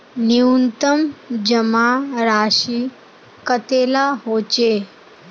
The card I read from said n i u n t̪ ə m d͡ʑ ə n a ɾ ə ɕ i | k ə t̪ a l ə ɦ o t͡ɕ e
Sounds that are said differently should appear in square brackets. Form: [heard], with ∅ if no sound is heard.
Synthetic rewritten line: n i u n t̪ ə m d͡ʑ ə [m] a ɾ [a] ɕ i | k ə t̪ [e] l [a] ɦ o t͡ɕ e